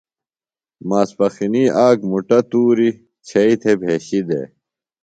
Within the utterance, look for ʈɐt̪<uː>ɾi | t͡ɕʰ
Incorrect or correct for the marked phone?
correct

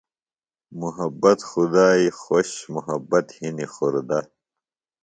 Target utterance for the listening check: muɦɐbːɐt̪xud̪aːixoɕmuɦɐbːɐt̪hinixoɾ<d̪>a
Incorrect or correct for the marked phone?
correct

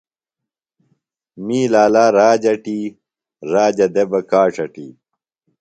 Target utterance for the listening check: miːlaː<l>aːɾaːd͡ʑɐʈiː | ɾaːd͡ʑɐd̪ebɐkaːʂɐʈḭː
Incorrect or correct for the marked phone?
correct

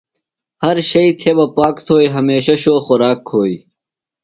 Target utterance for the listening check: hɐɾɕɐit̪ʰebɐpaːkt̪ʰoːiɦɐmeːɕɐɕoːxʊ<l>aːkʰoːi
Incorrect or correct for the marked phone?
incorrect: ɾ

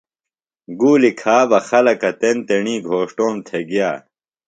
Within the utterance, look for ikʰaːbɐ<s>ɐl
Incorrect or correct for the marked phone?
incorrect: x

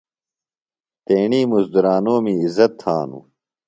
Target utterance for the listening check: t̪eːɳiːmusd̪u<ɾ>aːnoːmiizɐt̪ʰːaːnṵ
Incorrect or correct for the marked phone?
correct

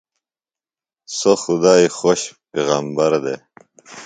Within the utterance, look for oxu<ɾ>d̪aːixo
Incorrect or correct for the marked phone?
incorrect: none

